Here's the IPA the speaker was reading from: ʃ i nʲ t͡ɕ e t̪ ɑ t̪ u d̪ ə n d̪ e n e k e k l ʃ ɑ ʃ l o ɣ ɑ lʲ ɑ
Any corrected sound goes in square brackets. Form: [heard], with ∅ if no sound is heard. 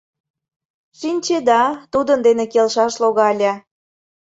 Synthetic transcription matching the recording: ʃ i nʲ t͡ɕ e [d̪] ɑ t̪ u d̪ ə n d̪ e n e k e [∅] l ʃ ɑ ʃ l o ɣ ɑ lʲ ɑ